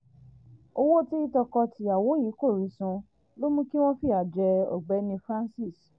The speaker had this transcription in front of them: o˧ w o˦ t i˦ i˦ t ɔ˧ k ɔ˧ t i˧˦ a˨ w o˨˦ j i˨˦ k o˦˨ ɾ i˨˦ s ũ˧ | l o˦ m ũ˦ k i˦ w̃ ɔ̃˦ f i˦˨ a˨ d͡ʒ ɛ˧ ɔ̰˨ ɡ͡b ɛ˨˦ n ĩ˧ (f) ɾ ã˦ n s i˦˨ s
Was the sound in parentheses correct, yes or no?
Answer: yes